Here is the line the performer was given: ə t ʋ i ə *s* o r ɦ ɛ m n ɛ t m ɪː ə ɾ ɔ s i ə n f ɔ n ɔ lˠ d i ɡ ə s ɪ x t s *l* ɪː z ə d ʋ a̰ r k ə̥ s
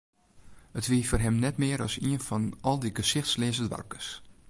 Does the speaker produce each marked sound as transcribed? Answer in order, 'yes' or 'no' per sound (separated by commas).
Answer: no, yes